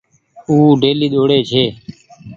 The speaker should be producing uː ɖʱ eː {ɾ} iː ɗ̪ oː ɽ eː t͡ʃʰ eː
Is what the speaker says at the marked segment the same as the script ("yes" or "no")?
no